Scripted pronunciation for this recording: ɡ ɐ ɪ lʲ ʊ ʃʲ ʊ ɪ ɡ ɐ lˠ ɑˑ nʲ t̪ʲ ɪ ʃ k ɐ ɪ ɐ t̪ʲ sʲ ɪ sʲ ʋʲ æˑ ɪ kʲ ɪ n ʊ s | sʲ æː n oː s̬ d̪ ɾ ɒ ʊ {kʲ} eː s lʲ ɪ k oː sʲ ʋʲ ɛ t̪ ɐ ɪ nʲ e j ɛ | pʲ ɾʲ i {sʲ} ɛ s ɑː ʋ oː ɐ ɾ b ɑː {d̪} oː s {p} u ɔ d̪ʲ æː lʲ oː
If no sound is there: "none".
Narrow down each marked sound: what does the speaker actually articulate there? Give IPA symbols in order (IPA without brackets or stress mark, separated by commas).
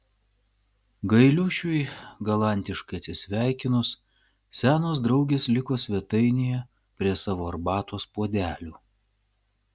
ɡʲ, none, t̪, p